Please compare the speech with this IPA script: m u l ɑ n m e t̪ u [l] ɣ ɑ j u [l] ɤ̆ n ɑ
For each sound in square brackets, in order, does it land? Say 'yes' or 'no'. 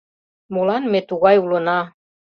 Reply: no, yes

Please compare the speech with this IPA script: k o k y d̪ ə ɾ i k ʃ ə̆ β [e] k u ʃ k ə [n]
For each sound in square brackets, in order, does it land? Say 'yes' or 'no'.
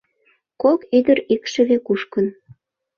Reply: yes, yes

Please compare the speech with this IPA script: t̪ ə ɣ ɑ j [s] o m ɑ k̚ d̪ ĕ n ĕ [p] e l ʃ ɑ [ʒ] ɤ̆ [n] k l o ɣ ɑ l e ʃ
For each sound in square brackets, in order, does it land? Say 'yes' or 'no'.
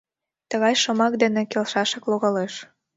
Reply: no, no, no, no

